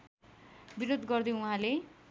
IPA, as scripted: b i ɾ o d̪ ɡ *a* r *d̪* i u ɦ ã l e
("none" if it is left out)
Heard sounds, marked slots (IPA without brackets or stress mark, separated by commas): ʌ, d̪